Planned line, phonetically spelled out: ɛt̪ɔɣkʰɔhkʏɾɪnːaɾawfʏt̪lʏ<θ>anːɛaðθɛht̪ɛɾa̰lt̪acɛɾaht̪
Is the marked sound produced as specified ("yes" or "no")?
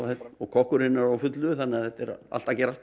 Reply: yes